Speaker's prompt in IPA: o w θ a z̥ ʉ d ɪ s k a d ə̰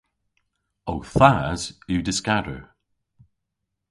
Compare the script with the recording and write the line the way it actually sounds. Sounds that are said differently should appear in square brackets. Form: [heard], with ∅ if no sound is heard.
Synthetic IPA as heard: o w θ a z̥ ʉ d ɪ s k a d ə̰